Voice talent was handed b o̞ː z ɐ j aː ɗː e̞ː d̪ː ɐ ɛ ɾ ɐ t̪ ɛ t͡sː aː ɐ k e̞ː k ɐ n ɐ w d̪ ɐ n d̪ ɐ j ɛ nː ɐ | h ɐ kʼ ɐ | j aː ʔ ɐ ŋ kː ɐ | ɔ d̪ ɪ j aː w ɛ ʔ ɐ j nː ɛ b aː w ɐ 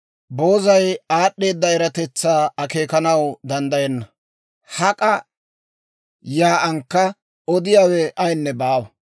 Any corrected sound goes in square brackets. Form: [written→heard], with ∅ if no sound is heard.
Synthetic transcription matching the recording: b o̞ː z ɐ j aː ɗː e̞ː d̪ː ɐ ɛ ɾ ɐ t̪ ɛ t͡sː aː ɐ k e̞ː k ɐ n ɐ w d̪ ɐ n d̪ ɐ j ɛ nː ɐ | h ɐ kʼ ɐ | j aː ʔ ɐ ŋ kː ɐ | ɔ d̪ ɪ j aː w ɛ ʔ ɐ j nː ɛ b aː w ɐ

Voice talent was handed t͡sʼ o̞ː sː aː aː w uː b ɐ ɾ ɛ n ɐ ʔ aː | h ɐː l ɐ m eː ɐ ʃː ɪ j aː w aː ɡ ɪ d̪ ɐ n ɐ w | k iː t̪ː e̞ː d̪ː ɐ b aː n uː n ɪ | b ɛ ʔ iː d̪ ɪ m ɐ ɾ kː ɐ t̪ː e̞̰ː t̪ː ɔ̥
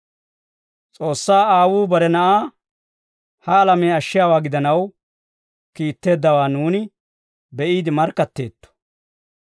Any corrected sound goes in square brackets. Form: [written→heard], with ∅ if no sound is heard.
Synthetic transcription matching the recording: t͡sʼ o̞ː sː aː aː w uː b ɐ ɾ ɛ n ɐ ʔ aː | h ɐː l ɐ m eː ɐ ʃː ɪ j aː w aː ɡ ɪ d̪ ɐ n ɐ w | k iː t̪ː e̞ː d̪ː ɐ [b→w] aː n uː n ɪ | b ɛ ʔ iː d̪ ɪ m ɐ ɾ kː ɐ t̪ː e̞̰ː t̪ː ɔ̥

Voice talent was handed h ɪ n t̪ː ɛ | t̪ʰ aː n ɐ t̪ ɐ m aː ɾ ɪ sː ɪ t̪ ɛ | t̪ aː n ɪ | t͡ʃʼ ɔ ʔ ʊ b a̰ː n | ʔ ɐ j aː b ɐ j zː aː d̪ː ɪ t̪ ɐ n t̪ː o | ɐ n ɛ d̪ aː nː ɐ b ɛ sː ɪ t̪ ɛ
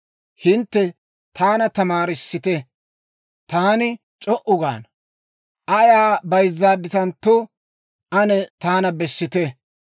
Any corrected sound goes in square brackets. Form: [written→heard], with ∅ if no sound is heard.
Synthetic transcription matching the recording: h ɪ n t̪ː ɛ | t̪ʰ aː n ɐ t̪ ɐ m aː ɾ ɪ sː ɪ t̪ ɛ | t̪ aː n ɪ | t͡ʃʼ ɔ ʔ ʊ [b→ɡ] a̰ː n | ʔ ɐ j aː b ɐ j zː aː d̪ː ɪ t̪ ɐ n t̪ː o | ɐ n ɛ [d̪→t̪] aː [nː→n] ɐ b ɛ sː ɪ t̪ ɛ

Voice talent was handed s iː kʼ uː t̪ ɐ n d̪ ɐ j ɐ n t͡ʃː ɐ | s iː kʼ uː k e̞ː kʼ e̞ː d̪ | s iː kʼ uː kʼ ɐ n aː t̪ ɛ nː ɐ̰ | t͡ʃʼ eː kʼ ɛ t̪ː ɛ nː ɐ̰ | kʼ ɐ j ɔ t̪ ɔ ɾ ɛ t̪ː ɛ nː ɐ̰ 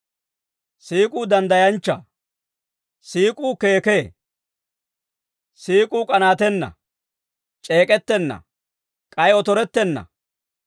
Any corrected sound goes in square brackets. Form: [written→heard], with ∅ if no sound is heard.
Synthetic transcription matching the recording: s iː kʼ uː [t̪→d̪] ɐ n d̪ ɐ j ɐ n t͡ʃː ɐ | s iː kʼ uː k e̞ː [kʼ→k] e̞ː [d̪→∅] | s iː kʼ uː kʼ ɐ n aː t̪ ɛ nː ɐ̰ | t͡ʃʼ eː kʼ ɛ t̪ː ɛ nː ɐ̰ | kʼ ɐ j ɔ t̪ ɔ ɾ ɛ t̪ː ɛ nː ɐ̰

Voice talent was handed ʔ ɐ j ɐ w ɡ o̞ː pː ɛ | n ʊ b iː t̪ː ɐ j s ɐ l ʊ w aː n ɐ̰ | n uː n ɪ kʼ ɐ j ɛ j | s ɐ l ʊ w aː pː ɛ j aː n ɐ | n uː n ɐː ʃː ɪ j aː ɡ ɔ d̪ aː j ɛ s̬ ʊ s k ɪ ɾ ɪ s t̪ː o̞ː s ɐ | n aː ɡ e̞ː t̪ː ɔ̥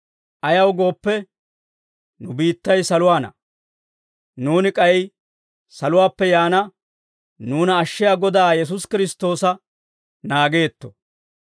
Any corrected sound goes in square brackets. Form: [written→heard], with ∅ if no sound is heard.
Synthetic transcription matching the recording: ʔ ɐ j ɐ w ɡ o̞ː pː ɛ | n ʊ b iː t̪ː ɐ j s ɐ l ʊ w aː n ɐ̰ | n uː n ɪ kʼ ɐ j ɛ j | s ɐ l ʊ w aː pː ɛ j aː n ɐ | n uː n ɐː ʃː ɪ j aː ɡ ɔ d̪ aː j ɛ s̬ ʊ s k ɪ ɾ ɪ s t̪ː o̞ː s ɐ | n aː ɡ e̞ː t̪ː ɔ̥

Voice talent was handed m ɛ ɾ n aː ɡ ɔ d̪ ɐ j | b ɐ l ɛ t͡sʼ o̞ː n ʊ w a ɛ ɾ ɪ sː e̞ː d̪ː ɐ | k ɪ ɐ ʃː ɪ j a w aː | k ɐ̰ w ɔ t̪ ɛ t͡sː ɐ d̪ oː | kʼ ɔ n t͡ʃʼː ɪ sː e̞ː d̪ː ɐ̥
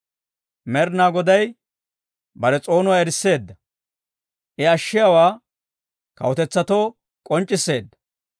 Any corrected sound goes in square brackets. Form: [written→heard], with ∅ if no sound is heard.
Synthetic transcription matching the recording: m ɛ ɾ n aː ɡ ɔ d̪ ɐ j | b ɐ [l→ɾ] ɛ t͡sʼ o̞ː n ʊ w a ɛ ɾ ɪ sː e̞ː d̪ː ɐ | [k→ʔ] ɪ ɐ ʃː ɪ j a w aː | k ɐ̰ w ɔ t̪ ɛ t͡sː ɐ [d̪→t̪] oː | kʼ ɔ n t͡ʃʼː ɪ sː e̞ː d̪ː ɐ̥

